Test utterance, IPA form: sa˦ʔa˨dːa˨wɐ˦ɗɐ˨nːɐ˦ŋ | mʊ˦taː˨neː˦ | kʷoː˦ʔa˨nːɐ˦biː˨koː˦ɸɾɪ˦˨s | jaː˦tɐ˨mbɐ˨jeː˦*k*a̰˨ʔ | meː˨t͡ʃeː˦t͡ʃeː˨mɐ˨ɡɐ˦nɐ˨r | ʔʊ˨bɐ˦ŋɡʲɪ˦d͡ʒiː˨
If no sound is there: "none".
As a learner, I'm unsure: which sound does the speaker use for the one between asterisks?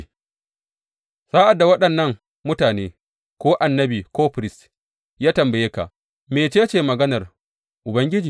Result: k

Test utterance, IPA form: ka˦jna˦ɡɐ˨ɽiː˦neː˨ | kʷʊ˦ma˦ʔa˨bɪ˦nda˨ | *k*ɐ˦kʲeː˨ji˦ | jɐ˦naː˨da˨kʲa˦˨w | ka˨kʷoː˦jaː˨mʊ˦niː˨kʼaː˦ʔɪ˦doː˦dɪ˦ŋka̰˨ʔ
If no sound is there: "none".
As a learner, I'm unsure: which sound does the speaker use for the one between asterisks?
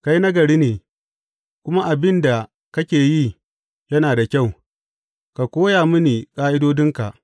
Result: k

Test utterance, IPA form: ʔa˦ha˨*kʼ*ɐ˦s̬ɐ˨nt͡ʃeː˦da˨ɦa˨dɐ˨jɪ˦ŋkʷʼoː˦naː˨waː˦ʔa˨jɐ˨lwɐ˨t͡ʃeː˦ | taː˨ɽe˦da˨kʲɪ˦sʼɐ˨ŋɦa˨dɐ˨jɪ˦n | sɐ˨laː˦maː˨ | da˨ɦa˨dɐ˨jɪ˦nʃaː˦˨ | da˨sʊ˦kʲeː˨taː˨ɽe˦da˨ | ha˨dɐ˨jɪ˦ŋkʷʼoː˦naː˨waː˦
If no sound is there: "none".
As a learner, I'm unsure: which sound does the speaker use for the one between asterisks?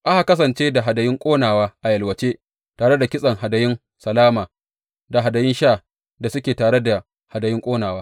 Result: k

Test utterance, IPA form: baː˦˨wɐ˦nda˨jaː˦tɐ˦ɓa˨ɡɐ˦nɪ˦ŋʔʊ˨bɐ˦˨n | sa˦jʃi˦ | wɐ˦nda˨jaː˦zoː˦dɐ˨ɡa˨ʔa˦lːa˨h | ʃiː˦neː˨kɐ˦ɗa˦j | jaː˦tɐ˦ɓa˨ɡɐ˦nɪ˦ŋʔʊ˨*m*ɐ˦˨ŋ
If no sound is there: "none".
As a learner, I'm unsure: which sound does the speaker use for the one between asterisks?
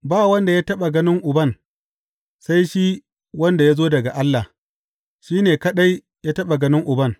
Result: b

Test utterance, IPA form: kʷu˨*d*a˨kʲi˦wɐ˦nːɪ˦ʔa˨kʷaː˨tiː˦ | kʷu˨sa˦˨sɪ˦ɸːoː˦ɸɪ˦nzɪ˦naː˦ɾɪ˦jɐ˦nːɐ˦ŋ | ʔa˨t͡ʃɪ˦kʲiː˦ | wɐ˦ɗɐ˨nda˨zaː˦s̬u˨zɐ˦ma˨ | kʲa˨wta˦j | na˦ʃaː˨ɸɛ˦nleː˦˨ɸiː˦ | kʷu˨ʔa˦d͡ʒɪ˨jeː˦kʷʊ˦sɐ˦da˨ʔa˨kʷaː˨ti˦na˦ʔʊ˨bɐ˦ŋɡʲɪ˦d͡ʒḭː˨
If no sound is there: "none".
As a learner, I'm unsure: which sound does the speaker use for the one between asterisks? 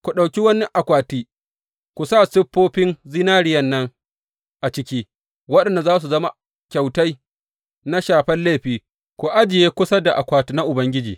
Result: ɗ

